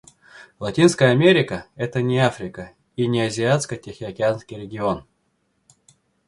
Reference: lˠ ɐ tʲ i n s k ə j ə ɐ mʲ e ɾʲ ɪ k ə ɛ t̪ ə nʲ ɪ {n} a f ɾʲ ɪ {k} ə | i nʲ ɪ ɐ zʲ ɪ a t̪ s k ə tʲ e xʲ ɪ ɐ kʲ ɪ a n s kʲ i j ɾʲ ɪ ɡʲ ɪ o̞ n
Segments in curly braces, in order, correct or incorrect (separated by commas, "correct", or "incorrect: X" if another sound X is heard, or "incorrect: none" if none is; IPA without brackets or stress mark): incorrect: none, correct